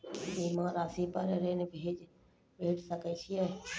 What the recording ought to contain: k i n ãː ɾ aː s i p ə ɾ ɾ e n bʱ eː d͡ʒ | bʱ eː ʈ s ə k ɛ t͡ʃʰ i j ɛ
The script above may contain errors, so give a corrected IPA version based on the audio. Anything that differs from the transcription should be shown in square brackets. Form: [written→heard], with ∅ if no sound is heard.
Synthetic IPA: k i [n→m] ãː ɾ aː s i p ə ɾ ɾ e n bʱ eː d͡ʒ | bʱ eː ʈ s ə k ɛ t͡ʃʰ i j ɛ